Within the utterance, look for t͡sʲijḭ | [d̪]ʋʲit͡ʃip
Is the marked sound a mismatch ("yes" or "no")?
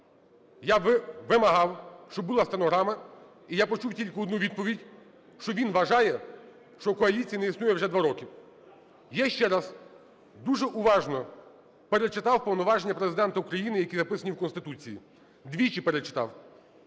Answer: no